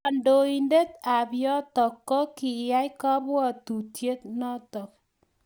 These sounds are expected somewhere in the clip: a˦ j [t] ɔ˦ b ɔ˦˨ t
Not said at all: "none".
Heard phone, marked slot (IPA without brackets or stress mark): k